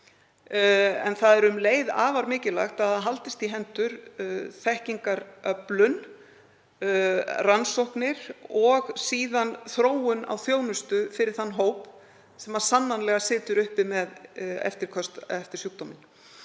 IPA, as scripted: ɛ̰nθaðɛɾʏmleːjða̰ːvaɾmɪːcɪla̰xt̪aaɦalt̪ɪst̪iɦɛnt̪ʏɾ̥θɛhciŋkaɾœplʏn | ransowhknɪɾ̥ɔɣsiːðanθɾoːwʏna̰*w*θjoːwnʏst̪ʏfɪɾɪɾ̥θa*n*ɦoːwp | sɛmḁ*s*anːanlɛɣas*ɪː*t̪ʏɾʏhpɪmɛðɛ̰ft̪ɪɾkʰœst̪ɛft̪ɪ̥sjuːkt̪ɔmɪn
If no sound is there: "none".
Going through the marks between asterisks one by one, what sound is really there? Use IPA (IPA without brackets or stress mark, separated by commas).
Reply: w, nː, s, ɪː